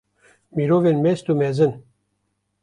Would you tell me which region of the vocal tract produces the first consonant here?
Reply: lips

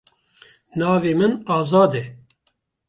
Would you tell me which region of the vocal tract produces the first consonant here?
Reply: tongue tip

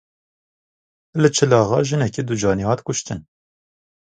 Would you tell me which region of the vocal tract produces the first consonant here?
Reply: tongue tip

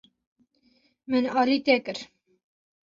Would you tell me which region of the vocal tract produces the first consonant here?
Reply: lips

